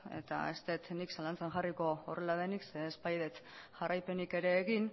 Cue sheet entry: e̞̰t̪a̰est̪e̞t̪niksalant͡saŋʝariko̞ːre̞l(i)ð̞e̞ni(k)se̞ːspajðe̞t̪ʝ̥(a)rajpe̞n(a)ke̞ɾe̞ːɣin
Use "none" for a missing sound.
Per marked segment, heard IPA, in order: a, k, a, i

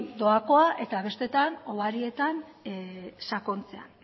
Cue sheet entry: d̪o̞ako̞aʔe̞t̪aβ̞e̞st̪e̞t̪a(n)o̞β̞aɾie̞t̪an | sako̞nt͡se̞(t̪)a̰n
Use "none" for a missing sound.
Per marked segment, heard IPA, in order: n, none

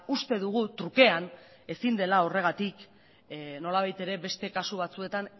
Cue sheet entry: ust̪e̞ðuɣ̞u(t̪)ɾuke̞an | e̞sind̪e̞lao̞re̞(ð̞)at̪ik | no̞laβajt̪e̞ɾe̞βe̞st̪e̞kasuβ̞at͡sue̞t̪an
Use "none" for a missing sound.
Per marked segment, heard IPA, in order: t̪, ɣ̞

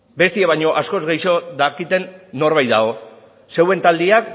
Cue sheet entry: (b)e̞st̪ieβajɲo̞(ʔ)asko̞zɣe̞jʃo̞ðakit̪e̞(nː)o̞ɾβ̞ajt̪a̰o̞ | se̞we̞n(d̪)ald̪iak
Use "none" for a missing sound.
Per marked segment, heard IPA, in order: b, ʔ, nː, t̪

